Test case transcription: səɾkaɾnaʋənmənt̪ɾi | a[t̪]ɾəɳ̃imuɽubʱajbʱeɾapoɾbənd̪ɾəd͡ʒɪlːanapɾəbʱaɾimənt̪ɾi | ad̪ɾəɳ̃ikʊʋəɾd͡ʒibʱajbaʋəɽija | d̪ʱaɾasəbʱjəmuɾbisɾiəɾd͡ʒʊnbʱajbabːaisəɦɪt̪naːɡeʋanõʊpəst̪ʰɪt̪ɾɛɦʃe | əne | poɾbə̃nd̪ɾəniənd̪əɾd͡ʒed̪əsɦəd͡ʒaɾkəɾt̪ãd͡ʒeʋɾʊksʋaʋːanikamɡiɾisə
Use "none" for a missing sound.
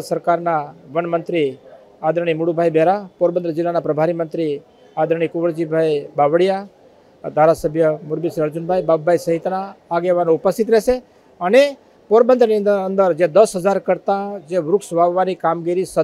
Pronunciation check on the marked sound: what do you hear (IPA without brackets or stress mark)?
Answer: d̪